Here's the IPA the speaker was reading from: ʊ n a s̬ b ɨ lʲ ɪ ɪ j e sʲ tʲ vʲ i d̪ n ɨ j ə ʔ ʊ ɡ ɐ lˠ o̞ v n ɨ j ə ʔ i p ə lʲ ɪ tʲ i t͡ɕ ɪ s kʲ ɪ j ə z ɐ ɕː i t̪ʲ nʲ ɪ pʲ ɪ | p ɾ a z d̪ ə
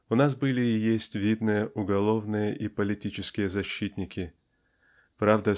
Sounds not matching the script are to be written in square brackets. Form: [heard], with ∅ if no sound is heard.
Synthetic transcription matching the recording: ʊ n a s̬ b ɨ lʲ ɪ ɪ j e sʲ tʲ vʲ i d̪ n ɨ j ə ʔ ʊ ɡ ɐ lˠ o̞ v n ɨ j ə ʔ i p ə lʲ ɪ tʲ i t͡ɕ ɪ s kʲ ɪ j ə z ɐ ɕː i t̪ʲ nʲ ɪ [kʲ] ɪ | p ɾ a [v] d̪ ə

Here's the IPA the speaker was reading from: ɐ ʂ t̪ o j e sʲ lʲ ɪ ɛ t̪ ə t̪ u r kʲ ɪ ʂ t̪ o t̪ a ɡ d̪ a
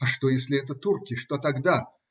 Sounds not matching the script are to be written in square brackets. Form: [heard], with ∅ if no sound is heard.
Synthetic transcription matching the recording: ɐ ʂ t̪ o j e sʲ lʲ ɪ ɛ t̪ ə t̪ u r kʲ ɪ ʂ t̪ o t̪ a ɡ d̪ a

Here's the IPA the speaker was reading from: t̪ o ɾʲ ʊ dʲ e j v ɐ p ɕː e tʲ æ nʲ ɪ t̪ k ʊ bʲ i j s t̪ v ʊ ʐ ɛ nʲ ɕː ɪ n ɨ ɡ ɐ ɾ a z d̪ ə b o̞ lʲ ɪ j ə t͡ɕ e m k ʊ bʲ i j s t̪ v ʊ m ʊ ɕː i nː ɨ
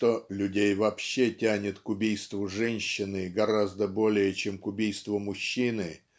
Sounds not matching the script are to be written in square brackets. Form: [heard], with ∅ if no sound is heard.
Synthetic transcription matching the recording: t̪ o [lʲ] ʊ dʲ e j v ɐ p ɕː e tʲ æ nʲ ɪ t̪ k ʊ bʲ i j s t̪ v ʊ ʐ ɛ nʲ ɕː ɪ n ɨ ɡ ɐ ɾ a z d̪ ə b o̞ lʲ ɪ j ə t͡ɕ e m k ʊ bʲ i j s t̪ v ʊ m ʊ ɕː i [n] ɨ

